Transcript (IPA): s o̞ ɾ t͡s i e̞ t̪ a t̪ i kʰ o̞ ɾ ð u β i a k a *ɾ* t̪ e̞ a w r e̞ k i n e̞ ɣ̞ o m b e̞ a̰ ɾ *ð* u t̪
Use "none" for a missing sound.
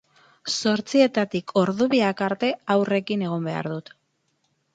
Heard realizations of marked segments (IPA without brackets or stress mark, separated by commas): ɾ, ð